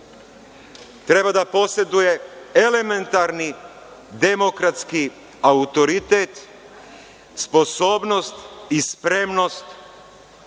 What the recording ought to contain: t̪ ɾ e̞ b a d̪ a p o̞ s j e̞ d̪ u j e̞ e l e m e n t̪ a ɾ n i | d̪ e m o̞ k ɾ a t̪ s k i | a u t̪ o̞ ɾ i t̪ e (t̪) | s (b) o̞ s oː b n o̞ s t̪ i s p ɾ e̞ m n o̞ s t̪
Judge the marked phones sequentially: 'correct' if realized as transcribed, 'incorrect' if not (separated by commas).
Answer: correct, incorrect